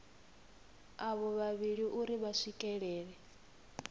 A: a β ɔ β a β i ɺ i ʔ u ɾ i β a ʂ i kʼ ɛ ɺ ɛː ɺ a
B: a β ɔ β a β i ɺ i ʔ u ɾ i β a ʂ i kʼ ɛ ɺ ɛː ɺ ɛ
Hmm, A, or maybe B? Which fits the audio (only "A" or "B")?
B